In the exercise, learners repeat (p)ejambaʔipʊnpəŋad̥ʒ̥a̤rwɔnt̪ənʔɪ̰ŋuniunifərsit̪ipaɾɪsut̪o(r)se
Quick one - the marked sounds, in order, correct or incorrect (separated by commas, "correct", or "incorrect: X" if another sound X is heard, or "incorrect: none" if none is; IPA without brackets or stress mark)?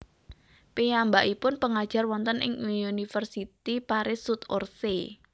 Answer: correct, correct